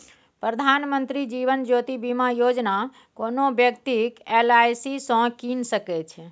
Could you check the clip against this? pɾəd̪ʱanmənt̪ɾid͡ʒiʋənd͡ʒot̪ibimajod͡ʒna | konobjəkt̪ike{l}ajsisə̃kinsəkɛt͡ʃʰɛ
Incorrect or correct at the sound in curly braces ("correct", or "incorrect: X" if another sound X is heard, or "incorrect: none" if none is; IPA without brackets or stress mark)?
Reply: correct